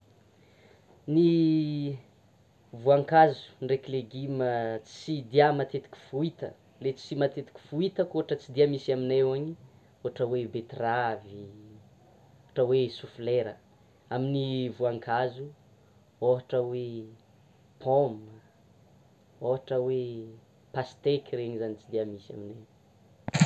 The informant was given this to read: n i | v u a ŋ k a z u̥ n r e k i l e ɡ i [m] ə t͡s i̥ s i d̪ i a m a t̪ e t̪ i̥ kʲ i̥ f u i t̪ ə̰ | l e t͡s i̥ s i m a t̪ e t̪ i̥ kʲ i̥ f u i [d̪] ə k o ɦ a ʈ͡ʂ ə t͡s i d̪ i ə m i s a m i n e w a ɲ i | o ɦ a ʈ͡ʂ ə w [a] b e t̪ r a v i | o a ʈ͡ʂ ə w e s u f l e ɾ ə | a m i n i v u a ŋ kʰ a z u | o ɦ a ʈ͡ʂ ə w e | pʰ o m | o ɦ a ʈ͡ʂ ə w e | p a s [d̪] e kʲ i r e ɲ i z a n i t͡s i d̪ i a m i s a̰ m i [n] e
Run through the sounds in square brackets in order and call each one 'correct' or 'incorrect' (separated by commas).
correct, incorrect, incorrect, incorrect, correct